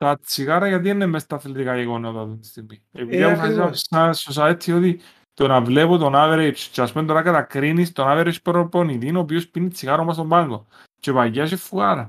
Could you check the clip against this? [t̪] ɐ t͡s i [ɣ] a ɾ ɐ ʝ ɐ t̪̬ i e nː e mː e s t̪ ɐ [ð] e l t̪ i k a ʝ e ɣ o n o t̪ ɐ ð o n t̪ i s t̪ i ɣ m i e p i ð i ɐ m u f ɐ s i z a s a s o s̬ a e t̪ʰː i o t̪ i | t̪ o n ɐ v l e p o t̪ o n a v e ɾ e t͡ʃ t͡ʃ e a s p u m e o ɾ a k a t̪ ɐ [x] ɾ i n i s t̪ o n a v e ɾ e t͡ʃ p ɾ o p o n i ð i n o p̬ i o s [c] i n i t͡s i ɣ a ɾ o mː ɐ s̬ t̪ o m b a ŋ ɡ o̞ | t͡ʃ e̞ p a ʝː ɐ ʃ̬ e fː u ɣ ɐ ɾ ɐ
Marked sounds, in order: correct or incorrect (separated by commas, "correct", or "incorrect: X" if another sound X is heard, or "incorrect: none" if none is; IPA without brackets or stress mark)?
correct, correct, incorrect: θ, incorrect: k, incorrect: p